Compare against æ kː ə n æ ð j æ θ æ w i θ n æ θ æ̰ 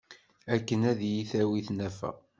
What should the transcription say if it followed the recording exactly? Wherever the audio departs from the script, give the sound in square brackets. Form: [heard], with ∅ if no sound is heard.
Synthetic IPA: æ kː ə n æ ð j [i] θ æ w i θ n æ [f] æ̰